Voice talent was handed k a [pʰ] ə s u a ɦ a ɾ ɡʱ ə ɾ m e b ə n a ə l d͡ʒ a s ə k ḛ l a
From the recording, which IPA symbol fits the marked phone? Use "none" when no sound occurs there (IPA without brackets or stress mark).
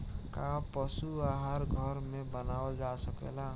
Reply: p